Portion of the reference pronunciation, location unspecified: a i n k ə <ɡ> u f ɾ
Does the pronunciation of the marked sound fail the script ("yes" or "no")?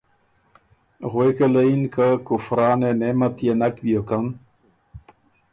yes